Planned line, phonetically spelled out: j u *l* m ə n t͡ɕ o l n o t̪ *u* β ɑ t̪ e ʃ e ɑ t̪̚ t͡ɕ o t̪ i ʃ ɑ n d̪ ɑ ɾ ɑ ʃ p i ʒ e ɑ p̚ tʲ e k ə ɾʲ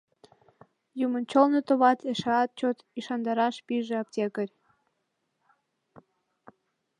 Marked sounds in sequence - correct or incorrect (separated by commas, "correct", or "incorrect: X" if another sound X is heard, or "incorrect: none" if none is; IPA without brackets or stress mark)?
incorrect: none, incorrect: o